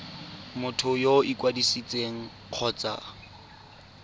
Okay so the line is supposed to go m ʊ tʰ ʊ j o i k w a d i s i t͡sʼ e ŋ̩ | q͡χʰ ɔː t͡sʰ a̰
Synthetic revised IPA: m ʊ tʰ ʊ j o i k w a d i s i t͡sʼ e ŋ̩ | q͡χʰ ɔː t͡s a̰